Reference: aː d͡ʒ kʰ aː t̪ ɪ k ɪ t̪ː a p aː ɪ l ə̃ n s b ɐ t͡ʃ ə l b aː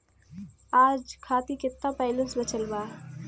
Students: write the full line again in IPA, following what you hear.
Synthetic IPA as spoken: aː d͡ʒ kʰ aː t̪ i k ɪ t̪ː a p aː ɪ l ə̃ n s b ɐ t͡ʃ ə l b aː